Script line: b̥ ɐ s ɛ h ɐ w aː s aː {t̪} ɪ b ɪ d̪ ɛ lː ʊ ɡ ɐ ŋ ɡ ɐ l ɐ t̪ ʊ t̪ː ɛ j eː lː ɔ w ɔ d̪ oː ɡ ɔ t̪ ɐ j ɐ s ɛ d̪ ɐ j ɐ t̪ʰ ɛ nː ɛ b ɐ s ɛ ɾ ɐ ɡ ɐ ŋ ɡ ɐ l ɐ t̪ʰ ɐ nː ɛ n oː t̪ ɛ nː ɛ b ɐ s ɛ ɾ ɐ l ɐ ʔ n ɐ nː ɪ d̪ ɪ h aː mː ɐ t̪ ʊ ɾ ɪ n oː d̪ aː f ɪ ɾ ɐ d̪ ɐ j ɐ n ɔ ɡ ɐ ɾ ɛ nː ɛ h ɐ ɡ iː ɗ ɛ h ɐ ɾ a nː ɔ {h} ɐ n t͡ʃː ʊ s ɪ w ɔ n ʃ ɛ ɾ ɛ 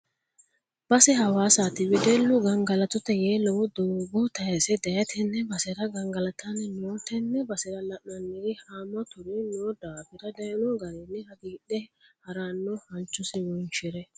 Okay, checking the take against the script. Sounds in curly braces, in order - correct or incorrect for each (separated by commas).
correct, correct